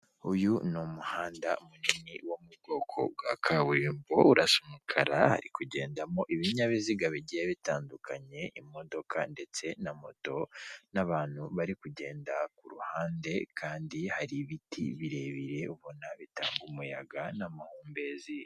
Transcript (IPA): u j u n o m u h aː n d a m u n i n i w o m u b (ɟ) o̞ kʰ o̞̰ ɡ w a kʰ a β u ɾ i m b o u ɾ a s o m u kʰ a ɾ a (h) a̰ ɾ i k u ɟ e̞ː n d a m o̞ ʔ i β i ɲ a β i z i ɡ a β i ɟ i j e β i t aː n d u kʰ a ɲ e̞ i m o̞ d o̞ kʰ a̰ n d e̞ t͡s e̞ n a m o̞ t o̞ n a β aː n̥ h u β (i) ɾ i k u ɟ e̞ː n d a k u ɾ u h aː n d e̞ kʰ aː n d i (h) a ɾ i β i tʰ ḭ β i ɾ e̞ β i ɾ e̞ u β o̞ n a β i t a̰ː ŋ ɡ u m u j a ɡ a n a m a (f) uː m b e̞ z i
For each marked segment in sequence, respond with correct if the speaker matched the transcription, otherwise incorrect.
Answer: incorrect: ɡ, correct, incorrect: a, correct, incorrect: h

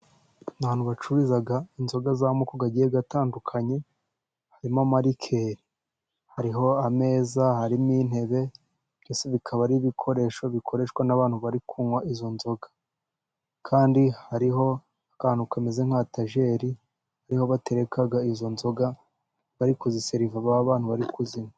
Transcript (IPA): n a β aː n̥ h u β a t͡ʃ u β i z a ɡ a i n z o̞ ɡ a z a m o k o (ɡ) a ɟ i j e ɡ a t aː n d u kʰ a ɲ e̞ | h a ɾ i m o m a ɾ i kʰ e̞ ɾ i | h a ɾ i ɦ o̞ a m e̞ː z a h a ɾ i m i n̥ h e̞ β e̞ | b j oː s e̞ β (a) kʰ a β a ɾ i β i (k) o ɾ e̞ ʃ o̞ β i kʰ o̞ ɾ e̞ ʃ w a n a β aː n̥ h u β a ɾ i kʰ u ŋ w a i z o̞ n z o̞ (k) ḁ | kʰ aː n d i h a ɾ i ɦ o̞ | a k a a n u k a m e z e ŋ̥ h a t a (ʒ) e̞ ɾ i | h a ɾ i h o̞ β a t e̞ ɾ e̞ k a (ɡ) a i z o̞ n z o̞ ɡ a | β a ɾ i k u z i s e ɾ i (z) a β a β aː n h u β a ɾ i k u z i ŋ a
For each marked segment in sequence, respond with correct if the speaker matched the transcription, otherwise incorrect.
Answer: correct, incorrect: i, incorrect: kʰ, incorrect: ɡ, correct, correct, incorrect: v

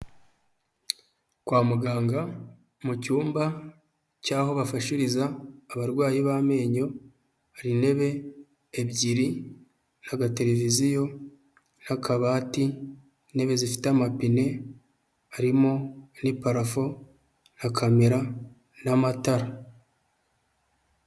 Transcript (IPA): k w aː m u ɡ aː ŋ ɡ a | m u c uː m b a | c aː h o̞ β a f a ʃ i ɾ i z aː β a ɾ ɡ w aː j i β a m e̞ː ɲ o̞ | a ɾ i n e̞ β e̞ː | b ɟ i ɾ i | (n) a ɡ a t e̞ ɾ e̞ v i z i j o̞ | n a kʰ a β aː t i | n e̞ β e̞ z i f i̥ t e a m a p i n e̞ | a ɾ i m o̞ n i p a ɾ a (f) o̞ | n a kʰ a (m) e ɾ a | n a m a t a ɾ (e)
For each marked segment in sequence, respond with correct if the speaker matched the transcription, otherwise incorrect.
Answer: correct, correct, correct, incorrect: a

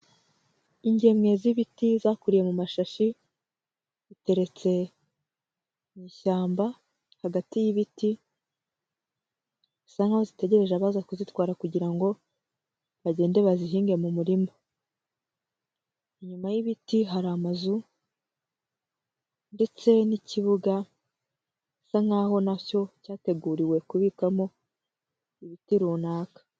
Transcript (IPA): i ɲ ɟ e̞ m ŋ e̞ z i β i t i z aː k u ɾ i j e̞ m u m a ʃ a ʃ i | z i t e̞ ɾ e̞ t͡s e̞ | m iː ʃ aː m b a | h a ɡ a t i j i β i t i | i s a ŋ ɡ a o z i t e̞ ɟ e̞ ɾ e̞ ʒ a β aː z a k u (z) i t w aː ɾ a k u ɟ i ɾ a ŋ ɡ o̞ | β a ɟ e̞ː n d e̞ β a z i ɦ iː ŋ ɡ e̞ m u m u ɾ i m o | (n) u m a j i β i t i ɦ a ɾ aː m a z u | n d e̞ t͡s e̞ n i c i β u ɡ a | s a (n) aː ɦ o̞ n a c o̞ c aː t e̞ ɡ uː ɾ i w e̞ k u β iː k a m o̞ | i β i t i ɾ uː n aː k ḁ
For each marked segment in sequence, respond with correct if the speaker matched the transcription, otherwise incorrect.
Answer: correct, incorrect: ɲ, incorrect: ŋ

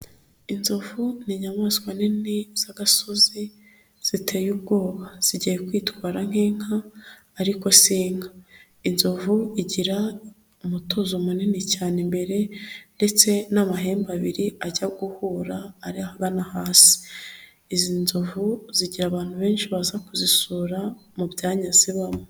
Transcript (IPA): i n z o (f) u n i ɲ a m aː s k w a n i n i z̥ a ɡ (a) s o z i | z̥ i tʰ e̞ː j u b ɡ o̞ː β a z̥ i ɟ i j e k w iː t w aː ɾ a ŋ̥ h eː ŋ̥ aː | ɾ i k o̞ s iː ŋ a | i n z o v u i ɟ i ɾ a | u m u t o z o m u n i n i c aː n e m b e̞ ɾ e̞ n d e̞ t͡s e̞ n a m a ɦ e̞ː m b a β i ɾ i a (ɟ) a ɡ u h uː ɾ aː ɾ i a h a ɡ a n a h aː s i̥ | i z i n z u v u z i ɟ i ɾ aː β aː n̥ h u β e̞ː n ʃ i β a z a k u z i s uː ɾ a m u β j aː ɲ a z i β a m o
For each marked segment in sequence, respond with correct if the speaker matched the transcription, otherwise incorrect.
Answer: incorrect: v, correct, correct

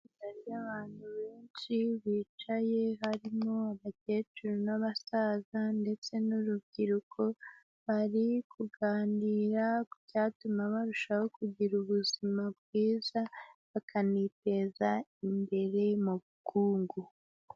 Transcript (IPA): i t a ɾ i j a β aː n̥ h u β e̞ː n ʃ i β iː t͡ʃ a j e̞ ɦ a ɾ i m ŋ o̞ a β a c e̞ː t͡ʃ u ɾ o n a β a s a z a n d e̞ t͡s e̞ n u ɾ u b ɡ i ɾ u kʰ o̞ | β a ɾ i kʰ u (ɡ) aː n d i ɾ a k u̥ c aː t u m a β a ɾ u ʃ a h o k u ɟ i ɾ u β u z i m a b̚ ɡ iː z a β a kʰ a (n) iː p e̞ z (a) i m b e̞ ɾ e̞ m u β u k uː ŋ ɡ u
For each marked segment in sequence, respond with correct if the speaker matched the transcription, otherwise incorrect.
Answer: correct, correct, correct

